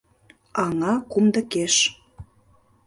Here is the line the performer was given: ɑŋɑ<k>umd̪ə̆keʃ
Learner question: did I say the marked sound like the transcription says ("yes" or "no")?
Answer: yes